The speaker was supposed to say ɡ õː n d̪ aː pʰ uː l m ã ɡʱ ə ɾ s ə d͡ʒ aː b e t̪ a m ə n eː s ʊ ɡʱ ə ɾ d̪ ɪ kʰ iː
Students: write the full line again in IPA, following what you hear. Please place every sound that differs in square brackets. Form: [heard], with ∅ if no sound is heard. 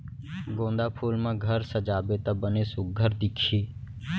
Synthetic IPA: ɡ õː n d̪ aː pʰ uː l m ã ɡʱ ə ɾ s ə d͡ʒ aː b e t̪ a [b] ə n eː s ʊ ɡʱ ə ɾ d̪ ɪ kʰ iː